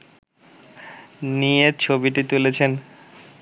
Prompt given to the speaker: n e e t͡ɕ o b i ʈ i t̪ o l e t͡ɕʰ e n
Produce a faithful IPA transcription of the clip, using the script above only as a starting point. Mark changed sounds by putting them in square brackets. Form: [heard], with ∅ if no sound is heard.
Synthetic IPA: n [i] e [t͡ɕʰ] o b i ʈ i t̪ [u] l e t͡ɕʰ e n